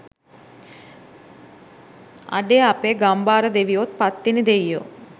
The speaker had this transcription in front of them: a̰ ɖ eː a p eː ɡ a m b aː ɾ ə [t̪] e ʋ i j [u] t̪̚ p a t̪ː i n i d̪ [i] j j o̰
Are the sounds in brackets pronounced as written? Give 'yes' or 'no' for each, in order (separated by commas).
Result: no, no, no